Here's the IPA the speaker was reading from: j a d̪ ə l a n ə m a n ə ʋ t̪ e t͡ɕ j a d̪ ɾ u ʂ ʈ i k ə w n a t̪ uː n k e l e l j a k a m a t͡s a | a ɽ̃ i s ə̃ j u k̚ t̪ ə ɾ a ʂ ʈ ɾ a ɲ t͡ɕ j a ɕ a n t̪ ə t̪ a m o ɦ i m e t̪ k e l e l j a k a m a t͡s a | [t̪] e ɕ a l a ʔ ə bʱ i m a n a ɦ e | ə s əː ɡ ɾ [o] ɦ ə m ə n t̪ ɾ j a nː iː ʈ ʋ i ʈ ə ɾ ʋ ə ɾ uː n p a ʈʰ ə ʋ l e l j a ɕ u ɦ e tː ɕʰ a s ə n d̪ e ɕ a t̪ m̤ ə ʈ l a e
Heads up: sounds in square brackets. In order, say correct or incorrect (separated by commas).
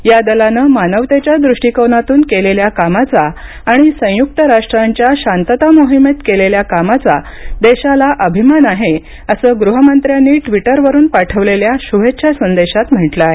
incorrect, incorrect